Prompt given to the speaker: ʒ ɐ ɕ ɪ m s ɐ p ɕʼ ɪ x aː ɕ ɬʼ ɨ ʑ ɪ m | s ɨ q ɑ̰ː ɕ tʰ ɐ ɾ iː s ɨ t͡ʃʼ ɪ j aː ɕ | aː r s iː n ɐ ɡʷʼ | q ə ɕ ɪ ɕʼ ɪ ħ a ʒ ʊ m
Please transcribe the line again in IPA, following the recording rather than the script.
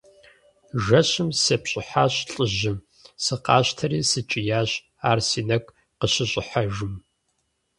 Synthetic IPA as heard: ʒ ɐ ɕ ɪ m s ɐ p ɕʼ ɪ ħ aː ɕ ɬʼ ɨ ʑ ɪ m | s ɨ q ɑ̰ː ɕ tʰ ɐ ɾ iː s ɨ t͡ʃʼ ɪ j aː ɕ | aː r s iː n ɐ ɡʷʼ | q ə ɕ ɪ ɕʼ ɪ ħ a ʒ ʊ m